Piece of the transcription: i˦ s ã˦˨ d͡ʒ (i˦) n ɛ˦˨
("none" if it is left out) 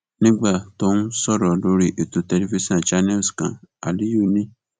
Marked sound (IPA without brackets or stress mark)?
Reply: a˦